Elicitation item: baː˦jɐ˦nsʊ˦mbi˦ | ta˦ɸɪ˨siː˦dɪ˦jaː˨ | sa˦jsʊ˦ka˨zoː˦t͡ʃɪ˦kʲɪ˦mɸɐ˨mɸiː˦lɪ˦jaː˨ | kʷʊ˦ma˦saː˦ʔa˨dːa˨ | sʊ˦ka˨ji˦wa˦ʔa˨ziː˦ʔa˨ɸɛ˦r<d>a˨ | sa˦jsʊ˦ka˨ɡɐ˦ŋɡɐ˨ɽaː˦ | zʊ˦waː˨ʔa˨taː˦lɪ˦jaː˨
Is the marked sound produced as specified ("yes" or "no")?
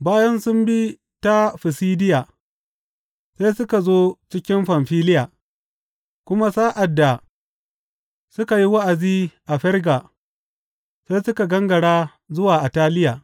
no